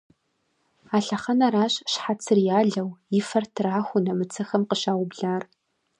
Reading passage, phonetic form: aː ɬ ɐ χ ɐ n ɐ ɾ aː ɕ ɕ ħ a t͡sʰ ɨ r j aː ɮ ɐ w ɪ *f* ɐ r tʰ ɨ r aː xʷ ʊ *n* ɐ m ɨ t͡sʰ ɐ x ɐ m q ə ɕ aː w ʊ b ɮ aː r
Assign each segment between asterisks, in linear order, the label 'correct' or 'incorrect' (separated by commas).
correct, correct